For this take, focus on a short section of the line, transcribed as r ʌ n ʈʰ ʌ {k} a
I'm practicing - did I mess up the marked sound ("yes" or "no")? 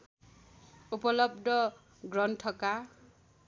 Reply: no